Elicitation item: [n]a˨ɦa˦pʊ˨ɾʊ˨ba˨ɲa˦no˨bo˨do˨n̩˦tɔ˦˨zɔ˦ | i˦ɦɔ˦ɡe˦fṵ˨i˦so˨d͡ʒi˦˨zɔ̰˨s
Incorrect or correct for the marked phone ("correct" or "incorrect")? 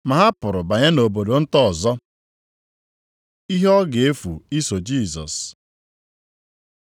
incorrect